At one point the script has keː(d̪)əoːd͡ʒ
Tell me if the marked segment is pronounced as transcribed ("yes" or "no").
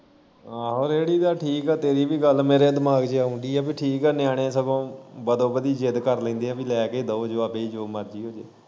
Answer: yes